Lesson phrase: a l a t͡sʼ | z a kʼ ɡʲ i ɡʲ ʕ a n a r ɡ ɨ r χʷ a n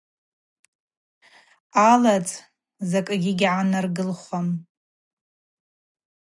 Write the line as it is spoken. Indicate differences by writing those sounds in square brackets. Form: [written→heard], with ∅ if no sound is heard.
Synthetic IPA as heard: a l a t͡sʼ | z a kʼ ɡʲ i ɡʲ ʕ a n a r ɡ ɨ [r→l] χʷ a [n→m]